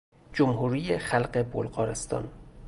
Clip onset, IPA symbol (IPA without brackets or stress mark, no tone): d͡ʒ